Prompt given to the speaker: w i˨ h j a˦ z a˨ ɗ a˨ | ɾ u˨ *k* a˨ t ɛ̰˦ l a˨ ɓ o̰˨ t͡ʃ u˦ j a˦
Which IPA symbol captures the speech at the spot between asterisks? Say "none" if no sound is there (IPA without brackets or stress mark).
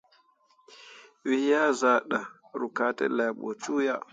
k